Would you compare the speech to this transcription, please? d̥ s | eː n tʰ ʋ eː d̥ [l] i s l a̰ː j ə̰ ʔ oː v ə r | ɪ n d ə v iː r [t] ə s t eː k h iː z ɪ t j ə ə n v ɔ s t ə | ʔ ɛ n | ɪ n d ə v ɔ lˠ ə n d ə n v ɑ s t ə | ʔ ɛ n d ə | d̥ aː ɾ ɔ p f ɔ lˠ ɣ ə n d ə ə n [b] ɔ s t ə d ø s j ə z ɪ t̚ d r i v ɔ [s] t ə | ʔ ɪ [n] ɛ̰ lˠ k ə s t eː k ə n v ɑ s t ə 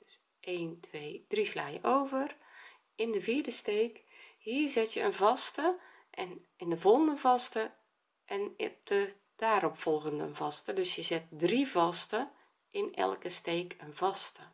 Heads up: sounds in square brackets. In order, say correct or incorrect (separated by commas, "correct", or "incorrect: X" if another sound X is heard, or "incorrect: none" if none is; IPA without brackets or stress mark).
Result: incorrect: r, incorrect: d, incorrect: v, correct, correct